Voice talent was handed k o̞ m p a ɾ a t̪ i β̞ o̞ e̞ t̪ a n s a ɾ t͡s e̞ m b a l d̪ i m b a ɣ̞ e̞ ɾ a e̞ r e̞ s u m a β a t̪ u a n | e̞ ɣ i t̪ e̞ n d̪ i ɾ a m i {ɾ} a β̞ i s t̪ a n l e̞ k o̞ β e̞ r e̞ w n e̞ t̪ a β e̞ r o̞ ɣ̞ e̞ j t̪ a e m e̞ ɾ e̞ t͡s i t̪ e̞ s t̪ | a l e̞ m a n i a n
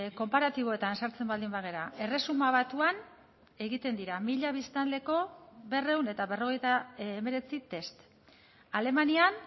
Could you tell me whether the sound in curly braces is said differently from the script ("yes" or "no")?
yes